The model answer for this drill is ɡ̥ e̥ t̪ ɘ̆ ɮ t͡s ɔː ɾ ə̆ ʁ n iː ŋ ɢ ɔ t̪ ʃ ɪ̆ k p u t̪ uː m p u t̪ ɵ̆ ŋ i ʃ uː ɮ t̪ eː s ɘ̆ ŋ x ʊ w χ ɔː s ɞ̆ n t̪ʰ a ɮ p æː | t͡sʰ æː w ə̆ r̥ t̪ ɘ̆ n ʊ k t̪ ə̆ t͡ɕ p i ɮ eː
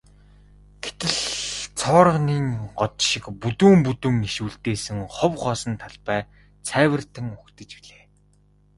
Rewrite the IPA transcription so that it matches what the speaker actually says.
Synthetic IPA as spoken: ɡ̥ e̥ t̪ ɘ̆ ɮ t͡sʰ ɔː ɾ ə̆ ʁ n iː ŋ ɢ ɔ t̪ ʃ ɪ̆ k p u t̪ uː m p u t̪ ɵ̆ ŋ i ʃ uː ɮ t̪ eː s ɘ̆ ŋ χ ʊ w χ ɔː s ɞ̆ n t̪ʰ a ɮ p æː | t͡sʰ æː w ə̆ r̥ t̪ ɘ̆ ŋ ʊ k t̪ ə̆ t͡ɕ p i ɮ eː

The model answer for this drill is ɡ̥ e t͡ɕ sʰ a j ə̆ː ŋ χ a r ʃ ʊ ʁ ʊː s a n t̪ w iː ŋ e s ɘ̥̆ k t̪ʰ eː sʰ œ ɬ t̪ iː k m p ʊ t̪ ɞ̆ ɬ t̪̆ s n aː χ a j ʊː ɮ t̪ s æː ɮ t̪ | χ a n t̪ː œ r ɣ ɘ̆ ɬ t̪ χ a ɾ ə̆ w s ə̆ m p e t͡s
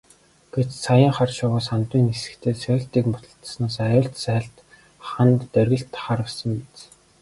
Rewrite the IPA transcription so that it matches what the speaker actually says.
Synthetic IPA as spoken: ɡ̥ e t͡ɕ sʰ a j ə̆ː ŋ χ a r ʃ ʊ ʁ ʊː s a n t̪ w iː n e s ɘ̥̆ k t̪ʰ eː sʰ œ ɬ t̪ iː k m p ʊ t̪ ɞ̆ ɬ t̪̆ s n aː s a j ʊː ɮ t̪ s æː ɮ t̪ | χ a n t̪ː œ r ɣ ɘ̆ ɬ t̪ χ a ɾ ə̆ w s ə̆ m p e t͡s

